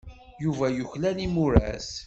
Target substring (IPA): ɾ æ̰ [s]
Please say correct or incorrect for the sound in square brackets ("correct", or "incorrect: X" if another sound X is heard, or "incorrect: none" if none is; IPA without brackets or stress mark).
correct